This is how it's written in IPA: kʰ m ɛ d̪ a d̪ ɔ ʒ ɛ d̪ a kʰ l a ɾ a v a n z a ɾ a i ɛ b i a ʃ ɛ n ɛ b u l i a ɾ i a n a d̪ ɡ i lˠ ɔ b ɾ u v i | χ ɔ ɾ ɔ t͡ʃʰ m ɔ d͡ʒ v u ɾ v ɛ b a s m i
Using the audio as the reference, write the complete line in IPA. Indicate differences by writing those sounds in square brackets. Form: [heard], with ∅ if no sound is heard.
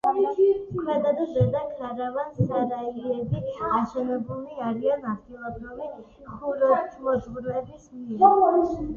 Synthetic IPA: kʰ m ɛ d̪ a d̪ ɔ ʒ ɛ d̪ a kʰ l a ɾ a v a n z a ɾ a i ɛ b i a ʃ ɛ n ɛ b u l i a ɾ i a n a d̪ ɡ i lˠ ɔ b ɾ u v i | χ [u] ɾ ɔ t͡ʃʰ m ɔ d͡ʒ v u ɾ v ɛ b [i] s m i